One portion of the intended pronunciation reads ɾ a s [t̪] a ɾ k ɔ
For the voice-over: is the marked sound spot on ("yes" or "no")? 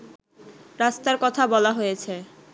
yes